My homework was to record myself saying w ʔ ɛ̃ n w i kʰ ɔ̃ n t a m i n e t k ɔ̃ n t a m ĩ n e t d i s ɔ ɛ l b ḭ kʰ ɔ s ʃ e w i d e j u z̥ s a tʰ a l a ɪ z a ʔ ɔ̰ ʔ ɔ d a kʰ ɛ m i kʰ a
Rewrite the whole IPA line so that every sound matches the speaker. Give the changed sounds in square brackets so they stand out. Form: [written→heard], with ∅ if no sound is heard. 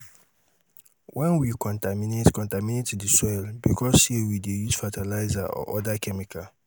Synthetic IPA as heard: w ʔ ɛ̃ n w i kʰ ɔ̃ n t a m i n e t k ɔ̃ n t a m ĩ n e t d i s ɔ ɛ l b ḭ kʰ ɔ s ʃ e w i d e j u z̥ [s→f] a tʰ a l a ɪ z a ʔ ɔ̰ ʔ ɔ d a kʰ ɛ m i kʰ a